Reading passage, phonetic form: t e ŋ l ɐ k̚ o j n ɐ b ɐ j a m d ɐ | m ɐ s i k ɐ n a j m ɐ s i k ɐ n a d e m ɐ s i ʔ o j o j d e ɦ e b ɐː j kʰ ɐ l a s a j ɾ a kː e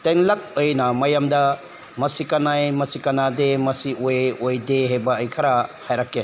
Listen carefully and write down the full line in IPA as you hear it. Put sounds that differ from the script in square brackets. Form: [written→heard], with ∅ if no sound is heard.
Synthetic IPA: t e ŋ l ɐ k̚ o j n ɐ [b→m] ɐ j a m d ɐ | m ɐ s i k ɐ n a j m ɐ s i k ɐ n a d e m ɐ s i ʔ o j o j d e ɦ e b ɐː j kʰ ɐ [l→ɾ] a [s→h] a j ɾ a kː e